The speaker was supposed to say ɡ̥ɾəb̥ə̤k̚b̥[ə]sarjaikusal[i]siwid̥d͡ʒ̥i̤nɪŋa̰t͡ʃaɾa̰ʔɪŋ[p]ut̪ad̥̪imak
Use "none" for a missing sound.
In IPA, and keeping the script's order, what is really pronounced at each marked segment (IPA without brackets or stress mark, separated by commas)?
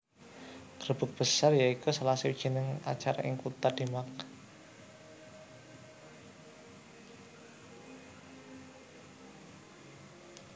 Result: ə, a, k